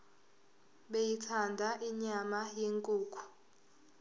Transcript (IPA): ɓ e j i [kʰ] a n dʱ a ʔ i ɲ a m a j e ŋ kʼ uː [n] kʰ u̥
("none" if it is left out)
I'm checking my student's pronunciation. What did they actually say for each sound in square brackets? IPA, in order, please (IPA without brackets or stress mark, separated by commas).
tʰ, none